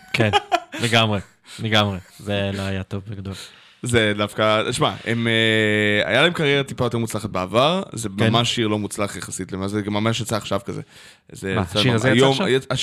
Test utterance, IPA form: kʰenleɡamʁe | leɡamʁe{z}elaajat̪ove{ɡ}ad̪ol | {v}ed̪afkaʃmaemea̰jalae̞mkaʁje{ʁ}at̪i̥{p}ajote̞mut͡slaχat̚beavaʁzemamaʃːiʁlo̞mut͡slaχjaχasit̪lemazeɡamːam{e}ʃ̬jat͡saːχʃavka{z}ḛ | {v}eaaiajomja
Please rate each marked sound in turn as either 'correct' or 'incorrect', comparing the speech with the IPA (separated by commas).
correct, correct, incorrect, correct, correct, incorrect, correct, incorrect